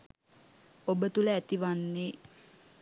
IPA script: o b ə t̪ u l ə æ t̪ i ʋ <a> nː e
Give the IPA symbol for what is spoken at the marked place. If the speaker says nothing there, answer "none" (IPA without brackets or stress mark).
a